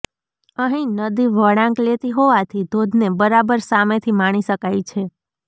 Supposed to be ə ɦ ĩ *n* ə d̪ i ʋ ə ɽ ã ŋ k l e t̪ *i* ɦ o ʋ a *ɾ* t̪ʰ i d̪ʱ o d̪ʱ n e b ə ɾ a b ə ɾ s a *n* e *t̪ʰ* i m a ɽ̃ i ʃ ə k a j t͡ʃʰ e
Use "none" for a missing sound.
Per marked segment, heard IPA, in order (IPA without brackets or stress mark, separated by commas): n, i, none, m, t̪ʰ